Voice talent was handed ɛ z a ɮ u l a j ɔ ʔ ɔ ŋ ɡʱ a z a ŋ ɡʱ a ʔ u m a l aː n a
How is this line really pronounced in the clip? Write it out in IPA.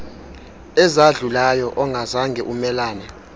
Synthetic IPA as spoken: ɛ z a ɮ u l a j ɔ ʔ ɔ ŋ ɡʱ a z a ŋ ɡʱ ɛ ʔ u m ɛ l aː n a